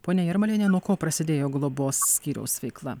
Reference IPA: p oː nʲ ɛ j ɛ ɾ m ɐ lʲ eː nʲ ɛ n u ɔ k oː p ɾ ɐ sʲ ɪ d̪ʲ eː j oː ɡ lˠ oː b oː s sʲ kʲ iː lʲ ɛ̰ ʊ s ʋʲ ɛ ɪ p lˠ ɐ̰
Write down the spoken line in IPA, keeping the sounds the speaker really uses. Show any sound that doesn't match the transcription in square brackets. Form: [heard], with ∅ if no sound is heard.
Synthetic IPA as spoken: p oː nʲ ɛ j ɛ ɾ m ɐ lʲ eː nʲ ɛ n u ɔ k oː p ɾ ɐ sʲ ɪ d̪ʲ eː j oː ɡ lˠ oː b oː s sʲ kʲ iː [ɾʲ] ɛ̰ ʊ s ʋʲ ɛ ɪ [k] lˠ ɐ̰

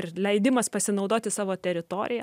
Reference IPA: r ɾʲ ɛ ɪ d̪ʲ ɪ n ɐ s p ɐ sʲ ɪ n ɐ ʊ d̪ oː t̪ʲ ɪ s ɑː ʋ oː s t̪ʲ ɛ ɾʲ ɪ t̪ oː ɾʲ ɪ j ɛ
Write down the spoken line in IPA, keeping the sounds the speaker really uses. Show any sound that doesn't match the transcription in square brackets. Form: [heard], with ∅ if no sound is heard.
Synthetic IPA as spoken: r [lʲ] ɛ ɪ d̪ʲ ɪ [m] ɐ s p ɐ sʲ ɪ n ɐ ʊ d̪ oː t̪ʲ ɪ s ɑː ʋ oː [∅] t̪ʲ ɛ ɾʲ ɪ t̪ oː ɾʲ ɪ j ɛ

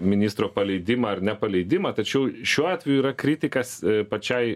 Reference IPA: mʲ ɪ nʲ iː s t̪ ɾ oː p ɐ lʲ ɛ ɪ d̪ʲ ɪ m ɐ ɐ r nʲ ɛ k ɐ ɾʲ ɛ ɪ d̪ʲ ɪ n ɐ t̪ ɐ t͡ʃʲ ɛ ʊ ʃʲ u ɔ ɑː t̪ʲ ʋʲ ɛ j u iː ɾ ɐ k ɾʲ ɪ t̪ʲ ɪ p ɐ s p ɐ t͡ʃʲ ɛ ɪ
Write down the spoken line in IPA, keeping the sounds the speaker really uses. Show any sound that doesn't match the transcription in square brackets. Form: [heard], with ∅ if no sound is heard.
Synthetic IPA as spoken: mʲ ɪ nʲ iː s t̪ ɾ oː p ɐ lʲ ɛ ɪ d̪ʲ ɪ m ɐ ɐ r nʲ ɛ [p] ɐ [lʲ] ɛ ɪ d̪ʲ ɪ [m] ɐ t̪ ɐ t͡ʃʲ ɛ ʊ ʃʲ u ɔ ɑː t̪ʲ ʋʲ ɛ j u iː ɾ ɐ k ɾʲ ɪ t̪ʲ ɪ [k] ɐ s p ɐ t͡ʃʲ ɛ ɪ

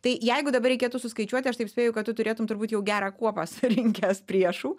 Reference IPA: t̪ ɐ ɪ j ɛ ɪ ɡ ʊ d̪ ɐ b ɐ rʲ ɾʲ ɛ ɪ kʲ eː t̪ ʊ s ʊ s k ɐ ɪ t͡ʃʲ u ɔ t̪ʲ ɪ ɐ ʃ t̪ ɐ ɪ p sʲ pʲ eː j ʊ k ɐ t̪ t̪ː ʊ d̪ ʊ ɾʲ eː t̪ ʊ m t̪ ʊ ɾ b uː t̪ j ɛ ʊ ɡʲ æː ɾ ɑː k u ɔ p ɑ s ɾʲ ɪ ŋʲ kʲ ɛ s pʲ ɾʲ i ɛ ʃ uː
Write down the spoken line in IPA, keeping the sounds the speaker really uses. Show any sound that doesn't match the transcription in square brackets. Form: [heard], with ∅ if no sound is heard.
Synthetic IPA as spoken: t̪ ɐ ɪ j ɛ ɪ ɡ ʊ d̪ ɐ b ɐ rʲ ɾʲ ɛ ɪ kʲ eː t̪ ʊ s ʊ s k ɐ ɪ t͡ʃʲ u ɔ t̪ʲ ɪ ɐ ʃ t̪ ɐ ɪ p sʲ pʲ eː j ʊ k ɐ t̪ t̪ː ʊ [t̪] ʊ ɾʲ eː t̪ ʊ m t̪ ʊ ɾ b uː t̪ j ɛ ʊ ɡʲ æː ɾ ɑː k u ɔ p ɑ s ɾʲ ɪ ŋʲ kʲ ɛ s pʲ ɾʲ i ɛ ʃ uː

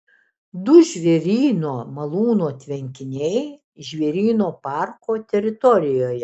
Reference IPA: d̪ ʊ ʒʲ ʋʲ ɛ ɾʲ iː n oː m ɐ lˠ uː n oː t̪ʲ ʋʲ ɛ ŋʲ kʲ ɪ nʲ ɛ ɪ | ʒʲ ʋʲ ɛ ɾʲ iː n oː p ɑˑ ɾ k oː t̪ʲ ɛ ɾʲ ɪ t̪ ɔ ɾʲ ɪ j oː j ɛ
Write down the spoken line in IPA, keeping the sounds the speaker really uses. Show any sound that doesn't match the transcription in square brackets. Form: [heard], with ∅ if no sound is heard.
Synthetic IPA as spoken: d̪ ʊ ʒʲ ʋʲ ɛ ɾʲ iː n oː m ɐ lˠ uː n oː t̪ʲ ʋʲ ɛ ŋʲ kʲ ɪ nʲ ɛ ɪ | ʒʲ ʋʲ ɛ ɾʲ iː n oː p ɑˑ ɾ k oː t̪ʲ ɛ ɾʲ ɪ t̪ ɔ ɾʲ ɪ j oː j ɛ

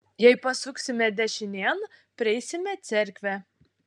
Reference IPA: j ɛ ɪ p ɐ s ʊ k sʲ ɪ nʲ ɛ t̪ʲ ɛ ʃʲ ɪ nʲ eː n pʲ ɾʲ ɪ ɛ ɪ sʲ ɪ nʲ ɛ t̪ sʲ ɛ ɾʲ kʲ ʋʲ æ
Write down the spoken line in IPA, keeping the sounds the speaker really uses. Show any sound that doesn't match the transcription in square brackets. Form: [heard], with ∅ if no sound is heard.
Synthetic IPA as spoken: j ɛ ɪ p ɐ s ʊ k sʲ ɪ [mʲ] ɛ [d̪ʲ] ɛ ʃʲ ɪ nʲ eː n pʲ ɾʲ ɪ ɛ ɪ sʲ ɪ [mʲ] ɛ t̪ sʲ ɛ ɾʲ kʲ ʋʲ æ

